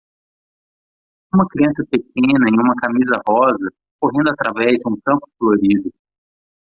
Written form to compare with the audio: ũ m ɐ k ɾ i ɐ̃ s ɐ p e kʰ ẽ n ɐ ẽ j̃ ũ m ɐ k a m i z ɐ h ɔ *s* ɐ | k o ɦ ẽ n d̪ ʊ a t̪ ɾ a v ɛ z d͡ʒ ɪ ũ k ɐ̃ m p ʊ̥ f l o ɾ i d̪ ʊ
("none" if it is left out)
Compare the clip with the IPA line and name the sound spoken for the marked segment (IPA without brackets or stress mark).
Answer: z